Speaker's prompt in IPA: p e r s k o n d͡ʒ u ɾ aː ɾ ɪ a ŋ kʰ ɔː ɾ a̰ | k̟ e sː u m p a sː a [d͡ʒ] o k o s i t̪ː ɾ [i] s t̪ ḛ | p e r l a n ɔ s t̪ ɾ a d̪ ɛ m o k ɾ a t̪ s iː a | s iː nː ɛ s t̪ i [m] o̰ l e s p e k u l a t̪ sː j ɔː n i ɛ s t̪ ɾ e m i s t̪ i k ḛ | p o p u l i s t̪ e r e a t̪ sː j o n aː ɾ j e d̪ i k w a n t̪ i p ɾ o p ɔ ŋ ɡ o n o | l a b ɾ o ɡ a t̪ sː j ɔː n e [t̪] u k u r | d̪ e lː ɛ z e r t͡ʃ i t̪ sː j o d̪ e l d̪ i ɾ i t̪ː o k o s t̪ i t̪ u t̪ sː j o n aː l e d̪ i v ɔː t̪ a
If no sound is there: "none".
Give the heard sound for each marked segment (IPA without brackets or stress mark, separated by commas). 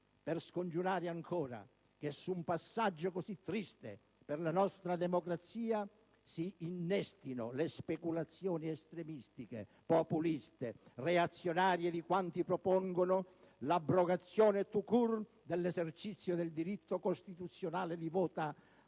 d͡ʒː, i, n, t̪